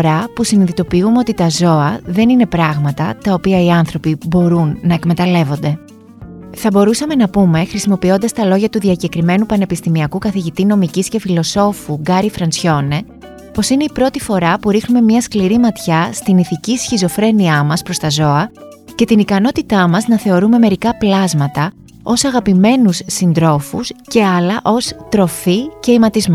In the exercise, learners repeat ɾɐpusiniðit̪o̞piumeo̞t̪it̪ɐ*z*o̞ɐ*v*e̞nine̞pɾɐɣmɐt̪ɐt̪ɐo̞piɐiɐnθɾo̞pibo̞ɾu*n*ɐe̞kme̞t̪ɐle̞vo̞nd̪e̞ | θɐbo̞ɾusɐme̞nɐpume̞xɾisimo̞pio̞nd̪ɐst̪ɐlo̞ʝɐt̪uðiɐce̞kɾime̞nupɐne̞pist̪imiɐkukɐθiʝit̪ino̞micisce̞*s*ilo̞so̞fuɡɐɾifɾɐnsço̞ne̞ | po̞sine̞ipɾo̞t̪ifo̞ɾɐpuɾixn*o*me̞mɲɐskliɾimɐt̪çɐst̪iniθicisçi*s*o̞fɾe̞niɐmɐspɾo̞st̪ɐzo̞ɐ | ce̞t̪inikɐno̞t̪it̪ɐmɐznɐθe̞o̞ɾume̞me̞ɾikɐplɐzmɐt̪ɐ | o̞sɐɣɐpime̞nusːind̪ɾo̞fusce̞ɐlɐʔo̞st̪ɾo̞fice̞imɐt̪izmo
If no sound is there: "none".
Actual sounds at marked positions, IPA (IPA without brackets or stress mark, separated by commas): z, ð, nː, f, u, z